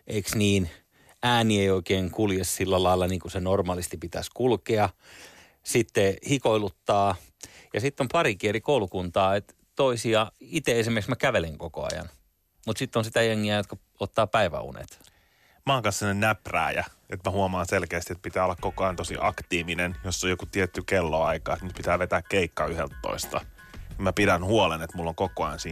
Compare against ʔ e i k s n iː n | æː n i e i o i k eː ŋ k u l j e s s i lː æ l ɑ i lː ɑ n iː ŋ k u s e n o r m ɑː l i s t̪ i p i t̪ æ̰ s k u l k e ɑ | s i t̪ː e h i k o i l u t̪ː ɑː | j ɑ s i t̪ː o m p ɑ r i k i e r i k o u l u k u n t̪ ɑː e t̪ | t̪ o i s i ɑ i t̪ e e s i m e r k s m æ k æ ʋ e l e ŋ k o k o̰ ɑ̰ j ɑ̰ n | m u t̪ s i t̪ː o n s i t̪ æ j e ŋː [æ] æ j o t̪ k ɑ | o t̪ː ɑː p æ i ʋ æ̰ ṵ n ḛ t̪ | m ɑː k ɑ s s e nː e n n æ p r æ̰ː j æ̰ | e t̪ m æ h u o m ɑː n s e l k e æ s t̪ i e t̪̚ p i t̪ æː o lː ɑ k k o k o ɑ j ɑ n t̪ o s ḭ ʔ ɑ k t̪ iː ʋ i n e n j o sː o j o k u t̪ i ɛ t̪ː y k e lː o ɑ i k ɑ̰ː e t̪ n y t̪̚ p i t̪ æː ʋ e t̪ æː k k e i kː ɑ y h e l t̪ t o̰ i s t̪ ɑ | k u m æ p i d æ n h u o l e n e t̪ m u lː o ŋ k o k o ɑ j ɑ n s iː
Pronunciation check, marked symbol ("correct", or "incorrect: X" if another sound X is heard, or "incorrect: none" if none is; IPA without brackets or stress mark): incorrect: i